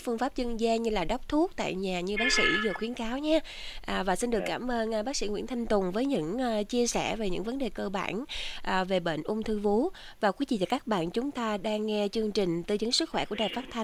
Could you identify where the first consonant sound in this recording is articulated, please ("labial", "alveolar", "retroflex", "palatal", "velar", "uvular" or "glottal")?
labial